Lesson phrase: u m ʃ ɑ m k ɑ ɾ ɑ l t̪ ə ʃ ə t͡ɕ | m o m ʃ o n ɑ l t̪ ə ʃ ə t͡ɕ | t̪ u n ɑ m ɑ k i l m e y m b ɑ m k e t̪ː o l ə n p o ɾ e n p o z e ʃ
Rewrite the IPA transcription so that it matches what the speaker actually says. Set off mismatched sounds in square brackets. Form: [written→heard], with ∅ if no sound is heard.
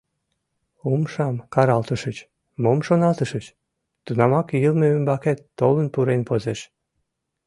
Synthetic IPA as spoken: u m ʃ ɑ m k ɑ ɾ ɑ l t̪ ə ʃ ə t͡ɕ | m o m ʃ o n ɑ l t̪ ə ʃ ə t͡ɕ | t̪ u n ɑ m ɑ k i l m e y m b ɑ [m→∅] k e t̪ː o l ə n p [o→u] ɾ e n p o z e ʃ